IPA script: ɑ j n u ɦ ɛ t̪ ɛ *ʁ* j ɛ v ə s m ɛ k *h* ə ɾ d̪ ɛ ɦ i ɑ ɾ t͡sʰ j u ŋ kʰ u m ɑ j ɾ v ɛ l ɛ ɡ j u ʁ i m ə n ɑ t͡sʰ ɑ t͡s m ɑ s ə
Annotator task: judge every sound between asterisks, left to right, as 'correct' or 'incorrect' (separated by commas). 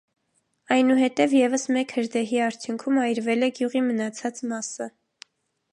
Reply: incorrect, correct